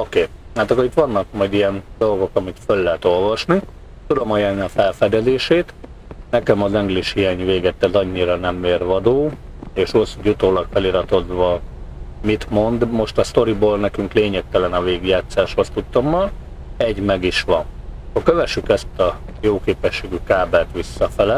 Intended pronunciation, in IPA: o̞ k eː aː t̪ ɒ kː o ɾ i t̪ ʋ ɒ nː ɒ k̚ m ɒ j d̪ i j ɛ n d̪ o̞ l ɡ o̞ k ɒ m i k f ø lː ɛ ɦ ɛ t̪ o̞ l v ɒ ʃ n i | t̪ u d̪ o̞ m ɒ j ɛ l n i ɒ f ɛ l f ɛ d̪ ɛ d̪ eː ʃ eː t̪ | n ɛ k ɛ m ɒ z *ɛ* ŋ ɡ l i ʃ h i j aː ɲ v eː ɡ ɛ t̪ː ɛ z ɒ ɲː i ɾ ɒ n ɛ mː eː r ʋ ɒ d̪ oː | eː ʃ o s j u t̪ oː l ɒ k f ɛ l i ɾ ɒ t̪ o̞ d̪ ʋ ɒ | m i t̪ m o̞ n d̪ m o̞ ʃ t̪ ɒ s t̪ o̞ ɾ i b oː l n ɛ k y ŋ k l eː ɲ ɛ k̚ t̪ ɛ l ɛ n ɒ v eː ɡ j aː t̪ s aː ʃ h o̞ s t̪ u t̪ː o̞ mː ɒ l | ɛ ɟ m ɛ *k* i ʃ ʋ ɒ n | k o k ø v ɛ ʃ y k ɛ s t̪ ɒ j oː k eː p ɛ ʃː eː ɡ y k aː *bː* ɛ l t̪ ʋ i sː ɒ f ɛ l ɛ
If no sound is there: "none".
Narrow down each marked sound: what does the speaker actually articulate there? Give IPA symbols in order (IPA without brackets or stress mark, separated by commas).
ɛ, ɡ, b